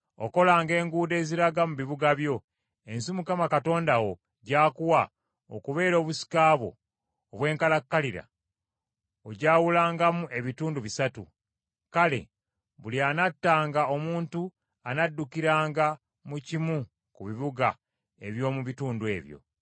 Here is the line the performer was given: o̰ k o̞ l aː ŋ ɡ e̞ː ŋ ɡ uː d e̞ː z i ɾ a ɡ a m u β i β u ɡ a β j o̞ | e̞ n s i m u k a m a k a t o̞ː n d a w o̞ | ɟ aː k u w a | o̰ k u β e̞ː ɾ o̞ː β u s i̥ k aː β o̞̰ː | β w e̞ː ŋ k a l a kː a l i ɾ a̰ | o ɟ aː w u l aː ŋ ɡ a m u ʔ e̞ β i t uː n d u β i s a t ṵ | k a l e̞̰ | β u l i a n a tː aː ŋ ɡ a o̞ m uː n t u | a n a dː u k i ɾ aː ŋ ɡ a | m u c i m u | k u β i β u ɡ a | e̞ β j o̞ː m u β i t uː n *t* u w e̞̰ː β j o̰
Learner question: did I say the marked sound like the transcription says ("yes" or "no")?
no